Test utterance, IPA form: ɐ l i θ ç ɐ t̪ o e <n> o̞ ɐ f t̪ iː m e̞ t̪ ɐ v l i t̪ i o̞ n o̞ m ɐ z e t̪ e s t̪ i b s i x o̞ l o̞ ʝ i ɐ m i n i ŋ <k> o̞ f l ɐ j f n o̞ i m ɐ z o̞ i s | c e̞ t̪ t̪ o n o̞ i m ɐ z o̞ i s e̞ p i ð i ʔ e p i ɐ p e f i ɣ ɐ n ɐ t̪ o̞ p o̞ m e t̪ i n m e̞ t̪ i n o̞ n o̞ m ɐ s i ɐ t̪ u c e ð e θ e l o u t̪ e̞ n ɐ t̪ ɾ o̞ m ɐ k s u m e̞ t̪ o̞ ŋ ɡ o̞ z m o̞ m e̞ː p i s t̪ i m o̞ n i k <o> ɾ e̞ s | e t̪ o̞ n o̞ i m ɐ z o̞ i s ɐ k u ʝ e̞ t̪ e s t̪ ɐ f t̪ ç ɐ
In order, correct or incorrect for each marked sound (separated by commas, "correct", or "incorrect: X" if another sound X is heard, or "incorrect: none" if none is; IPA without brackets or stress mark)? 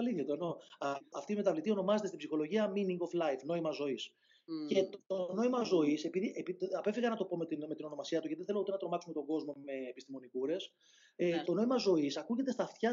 correct, incorrect: ɡ, incorrect: u